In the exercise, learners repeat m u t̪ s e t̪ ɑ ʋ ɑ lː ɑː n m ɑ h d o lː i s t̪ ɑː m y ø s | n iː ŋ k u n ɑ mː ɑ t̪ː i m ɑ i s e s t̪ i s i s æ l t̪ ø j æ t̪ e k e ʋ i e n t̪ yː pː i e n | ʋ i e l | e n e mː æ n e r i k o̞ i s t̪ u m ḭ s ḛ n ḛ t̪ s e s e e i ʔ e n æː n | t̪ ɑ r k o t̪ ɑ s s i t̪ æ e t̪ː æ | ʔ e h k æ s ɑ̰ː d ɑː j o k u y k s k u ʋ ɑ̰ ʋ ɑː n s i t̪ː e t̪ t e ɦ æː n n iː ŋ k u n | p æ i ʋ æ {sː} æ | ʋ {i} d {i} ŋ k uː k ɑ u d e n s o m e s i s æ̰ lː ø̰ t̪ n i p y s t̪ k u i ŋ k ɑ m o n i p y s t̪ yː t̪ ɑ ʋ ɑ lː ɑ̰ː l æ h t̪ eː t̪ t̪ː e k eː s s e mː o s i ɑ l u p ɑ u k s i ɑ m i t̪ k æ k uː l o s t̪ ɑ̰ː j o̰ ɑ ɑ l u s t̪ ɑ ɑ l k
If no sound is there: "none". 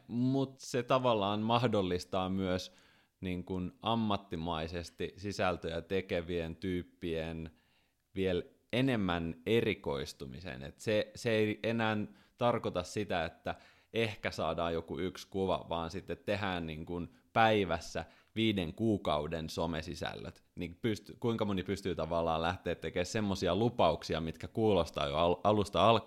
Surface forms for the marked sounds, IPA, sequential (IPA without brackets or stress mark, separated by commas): sː, iː, e